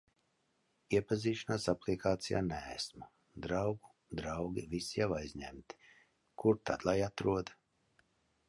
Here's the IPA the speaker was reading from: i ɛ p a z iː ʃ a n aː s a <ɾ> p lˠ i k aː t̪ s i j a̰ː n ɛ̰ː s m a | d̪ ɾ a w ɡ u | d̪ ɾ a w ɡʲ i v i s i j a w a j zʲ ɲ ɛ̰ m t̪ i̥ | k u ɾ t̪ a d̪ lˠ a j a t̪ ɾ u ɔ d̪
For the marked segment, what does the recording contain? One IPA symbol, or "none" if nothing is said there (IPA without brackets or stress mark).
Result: none